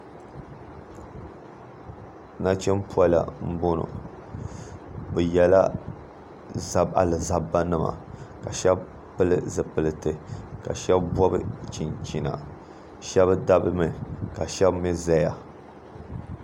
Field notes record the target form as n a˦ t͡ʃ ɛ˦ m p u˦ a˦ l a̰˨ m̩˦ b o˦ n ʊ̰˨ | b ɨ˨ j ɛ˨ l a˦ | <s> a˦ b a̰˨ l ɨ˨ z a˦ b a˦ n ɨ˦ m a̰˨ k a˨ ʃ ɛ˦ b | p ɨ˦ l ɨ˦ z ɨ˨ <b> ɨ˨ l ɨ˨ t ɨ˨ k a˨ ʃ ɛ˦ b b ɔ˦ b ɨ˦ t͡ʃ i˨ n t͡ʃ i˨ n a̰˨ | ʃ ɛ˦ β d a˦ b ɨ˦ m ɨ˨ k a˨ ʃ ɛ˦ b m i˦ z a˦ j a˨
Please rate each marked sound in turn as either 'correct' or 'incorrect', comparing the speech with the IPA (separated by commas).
incorrect, incorrect